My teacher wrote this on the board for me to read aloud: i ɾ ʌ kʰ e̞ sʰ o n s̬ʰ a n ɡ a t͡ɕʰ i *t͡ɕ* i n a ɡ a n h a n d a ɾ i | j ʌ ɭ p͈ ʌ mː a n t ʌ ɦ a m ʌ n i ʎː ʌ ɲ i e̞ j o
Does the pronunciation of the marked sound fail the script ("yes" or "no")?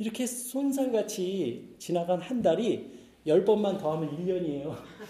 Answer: no